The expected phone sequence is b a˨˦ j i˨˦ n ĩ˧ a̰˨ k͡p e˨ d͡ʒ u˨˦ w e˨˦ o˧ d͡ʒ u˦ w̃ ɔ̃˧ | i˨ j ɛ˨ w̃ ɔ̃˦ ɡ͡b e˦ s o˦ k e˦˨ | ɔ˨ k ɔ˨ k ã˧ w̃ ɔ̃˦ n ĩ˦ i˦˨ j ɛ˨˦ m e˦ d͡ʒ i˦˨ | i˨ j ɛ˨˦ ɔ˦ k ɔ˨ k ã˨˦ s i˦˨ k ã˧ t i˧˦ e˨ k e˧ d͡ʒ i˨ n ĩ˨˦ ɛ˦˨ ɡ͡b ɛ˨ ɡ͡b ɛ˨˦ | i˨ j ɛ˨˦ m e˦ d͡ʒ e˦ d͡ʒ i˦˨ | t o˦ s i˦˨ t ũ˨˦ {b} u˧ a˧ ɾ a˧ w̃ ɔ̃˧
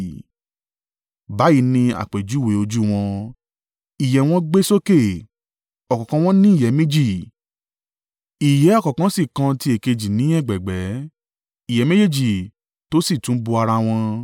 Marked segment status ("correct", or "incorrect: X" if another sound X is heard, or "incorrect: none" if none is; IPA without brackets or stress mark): correct